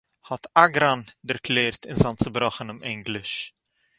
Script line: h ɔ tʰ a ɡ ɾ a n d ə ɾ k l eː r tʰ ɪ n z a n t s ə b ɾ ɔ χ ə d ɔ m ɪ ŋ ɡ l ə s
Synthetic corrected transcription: h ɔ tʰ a ɡ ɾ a n d ə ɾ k l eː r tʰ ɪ n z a n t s ə b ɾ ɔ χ ə n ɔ m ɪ ŋ ɡ l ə ʃ